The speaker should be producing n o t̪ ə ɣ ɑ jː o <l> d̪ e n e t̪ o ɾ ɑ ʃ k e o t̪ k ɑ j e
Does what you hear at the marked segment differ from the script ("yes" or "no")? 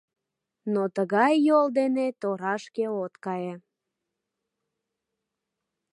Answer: no